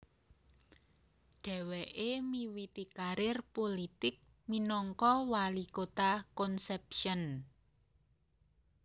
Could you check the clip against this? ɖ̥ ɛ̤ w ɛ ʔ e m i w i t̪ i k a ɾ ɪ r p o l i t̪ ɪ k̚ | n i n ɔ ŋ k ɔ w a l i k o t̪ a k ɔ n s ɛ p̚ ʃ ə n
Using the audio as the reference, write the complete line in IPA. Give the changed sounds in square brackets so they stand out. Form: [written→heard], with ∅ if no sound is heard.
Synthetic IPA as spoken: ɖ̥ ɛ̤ w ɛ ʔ e m i w i t̪ i k a ɾ ɪ r p o l i t̪ ɪ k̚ | [n→m] i n ɔ ŋ k ɔ w a l i k o t̪ a k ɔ n s ɛ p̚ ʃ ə n